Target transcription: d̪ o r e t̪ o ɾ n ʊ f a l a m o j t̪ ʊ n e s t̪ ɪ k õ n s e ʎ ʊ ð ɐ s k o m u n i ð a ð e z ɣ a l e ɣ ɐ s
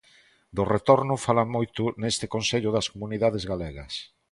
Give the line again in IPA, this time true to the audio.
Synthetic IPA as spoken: d̪ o r e t̪ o ɾ n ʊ f a l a m o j t̪ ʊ n e s t̪ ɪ k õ n s e ʎ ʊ ð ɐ s k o m u n i ð a ð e z ɣ a l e ɣ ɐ s